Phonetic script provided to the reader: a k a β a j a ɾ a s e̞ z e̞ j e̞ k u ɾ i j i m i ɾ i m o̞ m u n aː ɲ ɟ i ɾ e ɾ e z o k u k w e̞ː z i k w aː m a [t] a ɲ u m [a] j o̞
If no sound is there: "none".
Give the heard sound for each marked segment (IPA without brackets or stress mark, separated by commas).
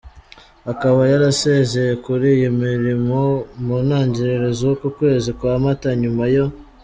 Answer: t, a